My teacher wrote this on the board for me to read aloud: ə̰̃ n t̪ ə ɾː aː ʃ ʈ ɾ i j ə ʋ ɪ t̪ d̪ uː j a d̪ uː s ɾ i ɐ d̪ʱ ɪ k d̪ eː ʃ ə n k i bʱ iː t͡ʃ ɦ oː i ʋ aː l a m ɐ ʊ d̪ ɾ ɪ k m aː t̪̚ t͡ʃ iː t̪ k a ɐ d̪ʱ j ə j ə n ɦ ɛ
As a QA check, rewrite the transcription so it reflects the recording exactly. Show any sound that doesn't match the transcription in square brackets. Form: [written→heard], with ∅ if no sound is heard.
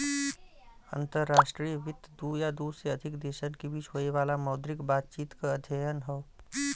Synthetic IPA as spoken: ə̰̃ n t̪ ə ɾː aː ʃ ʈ ɾ i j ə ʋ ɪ t̪ d̪ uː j a d̪ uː s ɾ [i→e] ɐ d̪ʱ ɪ k d̪ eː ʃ ə n k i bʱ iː t͡ʃ ɦ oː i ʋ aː l a m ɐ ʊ d̪ ɾ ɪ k [m→b] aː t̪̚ t͡ʃ iː t̪ k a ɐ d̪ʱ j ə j ə n ɦ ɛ